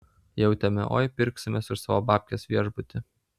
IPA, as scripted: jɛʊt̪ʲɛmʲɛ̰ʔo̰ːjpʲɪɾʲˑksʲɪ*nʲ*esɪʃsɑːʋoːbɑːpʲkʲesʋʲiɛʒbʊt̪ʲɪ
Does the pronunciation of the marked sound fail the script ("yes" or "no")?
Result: yes